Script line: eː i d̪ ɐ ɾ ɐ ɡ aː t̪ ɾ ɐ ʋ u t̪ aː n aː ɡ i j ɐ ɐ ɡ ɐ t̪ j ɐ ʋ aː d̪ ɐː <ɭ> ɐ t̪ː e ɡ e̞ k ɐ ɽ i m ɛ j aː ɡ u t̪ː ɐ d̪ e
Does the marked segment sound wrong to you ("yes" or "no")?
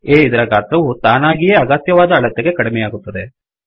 no